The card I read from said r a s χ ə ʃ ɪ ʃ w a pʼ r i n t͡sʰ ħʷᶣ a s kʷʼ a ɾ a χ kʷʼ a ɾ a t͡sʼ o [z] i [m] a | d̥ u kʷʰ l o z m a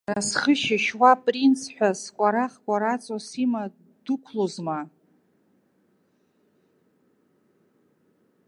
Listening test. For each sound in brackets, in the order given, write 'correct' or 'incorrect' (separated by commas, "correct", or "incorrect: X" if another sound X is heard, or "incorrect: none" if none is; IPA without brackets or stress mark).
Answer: incorrect: s, correct